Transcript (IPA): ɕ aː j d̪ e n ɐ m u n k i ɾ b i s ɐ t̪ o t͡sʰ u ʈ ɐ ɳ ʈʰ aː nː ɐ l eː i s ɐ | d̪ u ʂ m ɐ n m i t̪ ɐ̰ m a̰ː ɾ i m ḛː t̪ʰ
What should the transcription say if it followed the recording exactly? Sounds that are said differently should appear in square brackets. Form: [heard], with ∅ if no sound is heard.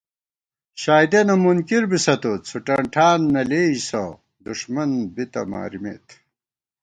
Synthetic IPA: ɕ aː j d̪ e n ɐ m u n k i ɾ b i s ɐ t̪ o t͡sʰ u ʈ ɐ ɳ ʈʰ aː nː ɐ l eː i s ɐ | d̪ u ʂ m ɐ n [b] i t̪ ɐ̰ m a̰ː ɾ i m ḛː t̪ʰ